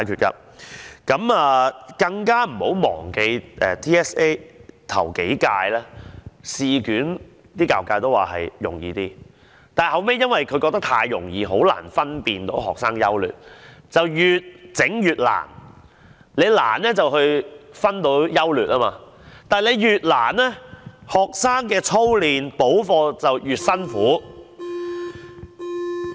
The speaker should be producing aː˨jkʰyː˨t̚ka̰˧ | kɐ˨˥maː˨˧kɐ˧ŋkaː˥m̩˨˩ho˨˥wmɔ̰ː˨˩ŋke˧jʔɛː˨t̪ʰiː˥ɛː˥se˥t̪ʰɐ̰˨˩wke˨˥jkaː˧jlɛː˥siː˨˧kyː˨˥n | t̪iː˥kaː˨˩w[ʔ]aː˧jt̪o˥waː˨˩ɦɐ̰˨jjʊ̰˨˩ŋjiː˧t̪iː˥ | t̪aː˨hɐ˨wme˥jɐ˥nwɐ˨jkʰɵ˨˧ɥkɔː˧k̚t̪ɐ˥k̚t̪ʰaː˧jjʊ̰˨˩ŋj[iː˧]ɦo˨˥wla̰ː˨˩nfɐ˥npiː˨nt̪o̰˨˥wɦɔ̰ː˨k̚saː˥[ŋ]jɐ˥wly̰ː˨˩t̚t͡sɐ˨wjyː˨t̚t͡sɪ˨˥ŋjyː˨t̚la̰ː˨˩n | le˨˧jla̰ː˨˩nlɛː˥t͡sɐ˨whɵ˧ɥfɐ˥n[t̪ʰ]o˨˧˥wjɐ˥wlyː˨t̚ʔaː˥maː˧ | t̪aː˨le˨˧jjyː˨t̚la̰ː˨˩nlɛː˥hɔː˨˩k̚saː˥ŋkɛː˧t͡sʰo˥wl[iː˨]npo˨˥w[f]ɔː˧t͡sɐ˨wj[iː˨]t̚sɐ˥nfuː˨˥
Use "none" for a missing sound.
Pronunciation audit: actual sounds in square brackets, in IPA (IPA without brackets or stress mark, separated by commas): k, iː˧, ŋ, t̪, iː˨, f, yː˨